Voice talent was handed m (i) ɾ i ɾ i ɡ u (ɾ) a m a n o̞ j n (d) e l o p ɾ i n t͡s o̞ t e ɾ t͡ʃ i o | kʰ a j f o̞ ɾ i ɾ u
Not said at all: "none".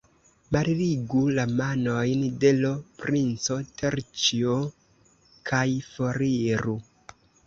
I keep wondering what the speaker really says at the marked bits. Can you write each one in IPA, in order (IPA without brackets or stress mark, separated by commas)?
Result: a, l, d